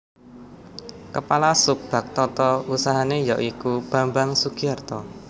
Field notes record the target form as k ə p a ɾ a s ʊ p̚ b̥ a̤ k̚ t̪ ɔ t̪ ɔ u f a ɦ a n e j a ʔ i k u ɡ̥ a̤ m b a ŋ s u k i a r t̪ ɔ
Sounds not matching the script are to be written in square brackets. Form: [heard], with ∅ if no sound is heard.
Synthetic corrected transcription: k ə p a [l] a s ʊ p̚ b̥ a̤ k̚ t̪ ɔ t̪ ɔ u [s] a ɦ a n e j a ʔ i k u [b̥] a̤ m b a ŋ s u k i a r t̪ ɔ